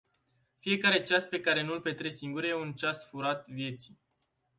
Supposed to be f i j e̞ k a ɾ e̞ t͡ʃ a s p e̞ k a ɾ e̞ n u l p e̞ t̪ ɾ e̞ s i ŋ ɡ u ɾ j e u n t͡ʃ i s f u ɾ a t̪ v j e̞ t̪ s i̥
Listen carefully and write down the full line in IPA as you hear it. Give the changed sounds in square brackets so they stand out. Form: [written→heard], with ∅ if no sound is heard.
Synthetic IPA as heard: f i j e̞ k a ɾ e̞ t͡ʃ a s p e̞ k a ɾ e̞ n u l p e̞ t̪ ɾ e̞ s i ŋ ɡ u ɾ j e u n t͡ʃ [i→a] s f u ɾ a t̪ v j e̞ t̪ s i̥